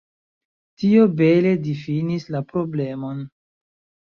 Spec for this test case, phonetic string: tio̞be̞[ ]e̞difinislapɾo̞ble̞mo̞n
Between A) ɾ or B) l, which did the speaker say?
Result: B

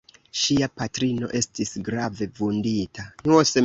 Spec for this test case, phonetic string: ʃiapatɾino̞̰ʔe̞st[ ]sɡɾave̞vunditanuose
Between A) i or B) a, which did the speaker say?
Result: A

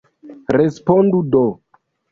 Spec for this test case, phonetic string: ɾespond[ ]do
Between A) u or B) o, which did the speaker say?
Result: A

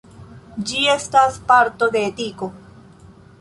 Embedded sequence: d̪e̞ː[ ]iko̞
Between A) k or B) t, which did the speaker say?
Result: B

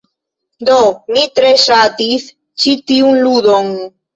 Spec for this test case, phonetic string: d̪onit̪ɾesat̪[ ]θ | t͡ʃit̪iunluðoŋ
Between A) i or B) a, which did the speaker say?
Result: A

